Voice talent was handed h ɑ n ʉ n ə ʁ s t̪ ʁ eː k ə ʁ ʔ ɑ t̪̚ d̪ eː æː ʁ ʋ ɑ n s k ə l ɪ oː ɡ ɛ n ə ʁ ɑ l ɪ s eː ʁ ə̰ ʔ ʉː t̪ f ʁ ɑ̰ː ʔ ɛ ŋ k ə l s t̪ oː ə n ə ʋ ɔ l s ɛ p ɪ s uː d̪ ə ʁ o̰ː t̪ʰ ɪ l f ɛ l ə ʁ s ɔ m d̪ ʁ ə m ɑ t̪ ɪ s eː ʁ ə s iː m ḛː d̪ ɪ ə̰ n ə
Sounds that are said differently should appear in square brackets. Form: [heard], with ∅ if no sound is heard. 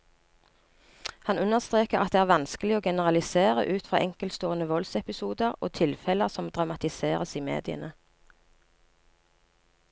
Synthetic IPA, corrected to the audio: h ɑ n ʉ n ə ʁ s t̪ ʁ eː k ə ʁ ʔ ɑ t̪̚ d̪ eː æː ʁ ʋ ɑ n s k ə l ɪ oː ɡ ɛ n ə ʁ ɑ l ɪ s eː ʁ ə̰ ʔ ʉː t̪ f ʁ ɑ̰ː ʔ ɛ ŋ k ə l s t̪ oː ə n ə ʋ ɔ l s ɛ p ɪ s uː d̪ ə ʁ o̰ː t̪ʰ ɪ l f ɛ l ə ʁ s ɔ m d̪ ʁ [ɑ] m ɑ t̪ ɪ s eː ʁ ə s iː m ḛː d̪ ɪ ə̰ n ə

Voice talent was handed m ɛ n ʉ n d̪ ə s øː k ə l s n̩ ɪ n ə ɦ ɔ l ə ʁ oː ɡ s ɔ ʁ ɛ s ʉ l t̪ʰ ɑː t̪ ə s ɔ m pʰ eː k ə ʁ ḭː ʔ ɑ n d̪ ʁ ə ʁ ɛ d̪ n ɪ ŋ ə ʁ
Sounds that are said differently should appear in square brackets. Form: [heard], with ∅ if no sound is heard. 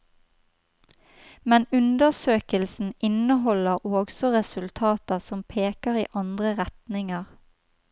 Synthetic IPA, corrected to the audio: m ɛ n ʉ n d̪ ə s øː k ə l s n̩ ɪ n ə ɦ ɔ l ə ʁ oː ɡ s ɔ ʁ ɛ s ʉ l t̪ʰ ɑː t̪ ə s ɔ m pʰ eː k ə ʁ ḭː ʔ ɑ n d̪ ʁ ə ʁ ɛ [t̪] n ɪ ŋ ə ʁ

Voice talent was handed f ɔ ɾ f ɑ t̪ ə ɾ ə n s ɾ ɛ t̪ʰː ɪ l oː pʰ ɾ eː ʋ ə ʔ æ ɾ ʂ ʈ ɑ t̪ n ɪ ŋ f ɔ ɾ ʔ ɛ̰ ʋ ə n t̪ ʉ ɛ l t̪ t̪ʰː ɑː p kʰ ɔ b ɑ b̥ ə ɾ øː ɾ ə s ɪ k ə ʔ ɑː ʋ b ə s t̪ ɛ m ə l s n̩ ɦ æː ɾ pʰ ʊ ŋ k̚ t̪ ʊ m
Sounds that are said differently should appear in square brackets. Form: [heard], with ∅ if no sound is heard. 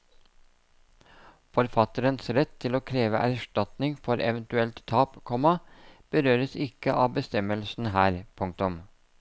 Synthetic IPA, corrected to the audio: f ɔ ɾ f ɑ t̪ ə ɾ ə n s ɾ ɛ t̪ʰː ɪ l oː [kʰ] ɾ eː ʋ ə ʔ æ ɾ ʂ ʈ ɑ t̪ n ɪ ŋ f ɔ ɾ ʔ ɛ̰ ʋ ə n t̪ ʉ ɛ l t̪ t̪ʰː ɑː p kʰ ɔ [m] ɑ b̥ ə ɾ øː ɾ ə s ɪ k ə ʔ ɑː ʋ b ə s t̪ ɛ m ə l s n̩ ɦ æː ɾ pʰ ʊ ŋ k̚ t̪ ʊ m

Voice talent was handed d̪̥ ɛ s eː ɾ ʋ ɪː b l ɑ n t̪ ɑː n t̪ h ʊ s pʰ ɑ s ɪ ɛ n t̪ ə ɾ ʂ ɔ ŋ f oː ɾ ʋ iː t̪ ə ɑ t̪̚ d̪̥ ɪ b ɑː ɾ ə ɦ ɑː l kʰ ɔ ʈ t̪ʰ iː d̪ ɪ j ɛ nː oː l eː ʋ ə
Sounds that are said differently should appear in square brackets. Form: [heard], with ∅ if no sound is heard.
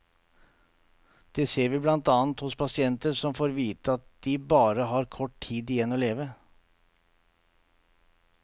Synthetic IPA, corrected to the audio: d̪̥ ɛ s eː ɾ ʋ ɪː b l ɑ n t̪ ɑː n t̪ h ʊ s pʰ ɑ s ɪ ɛ n t̪ ə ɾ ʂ ɔ [m] f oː ɾ ʋ iː t̪ ə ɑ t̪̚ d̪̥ ɪ b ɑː ɾ ə ɦ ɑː [ɾ] kʰ ɔ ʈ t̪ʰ iː d̪ ɪ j ɛ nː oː l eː ʋ ə

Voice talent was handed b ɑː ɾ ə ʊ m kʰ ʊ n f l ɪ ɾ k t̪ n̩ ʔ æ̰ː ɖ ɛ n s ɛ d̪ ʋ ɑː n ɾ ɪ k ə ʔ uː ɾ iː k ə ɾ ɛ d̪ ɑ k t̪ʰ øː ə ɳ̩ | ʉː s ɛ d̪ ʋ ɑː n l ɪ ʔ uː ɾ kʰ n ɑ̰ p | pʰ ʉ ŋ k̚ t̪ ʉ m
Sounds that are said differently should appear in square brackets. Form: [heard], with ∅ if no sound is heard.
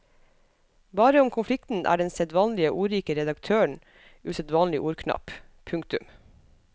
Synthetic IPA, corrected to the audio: b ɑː ɾ ə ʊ m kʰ ʊ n f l ɪ [∅] k t̪ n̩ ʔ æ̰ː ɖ ɛ n s ɛ d̪ ʋ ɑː n [l] ɪ [∅] ə ʔ uː ɾ iː k ə ɾ ɛ d̪ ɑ k t̪ʰ øː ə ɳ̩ | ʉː s ɛ d̪ ʋ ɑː n l ɪ ʔ uː ɾ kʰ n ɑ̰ p | pʰ ʉ ŋ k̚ t̪ ʉ m

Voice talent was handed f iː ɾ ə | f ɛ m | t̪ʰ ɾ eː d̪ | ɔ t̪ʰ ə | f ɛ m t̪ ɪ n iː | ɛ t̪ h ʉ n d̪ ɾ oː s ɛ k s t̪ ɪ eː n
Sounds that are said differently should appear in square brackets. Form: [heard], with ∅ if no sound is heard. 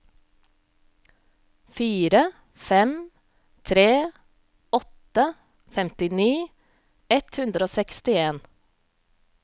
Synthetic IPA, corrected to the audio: f iː ɾ ə | f ɛ m | t̪ʰ ɾ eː [∅] | ɔ [t̪] ə | f ɛ m t̪ ɪ n iː | ɛ t̪ h ʉ n d̪ ɾ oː s ɛ k s t̪ ɪ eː n

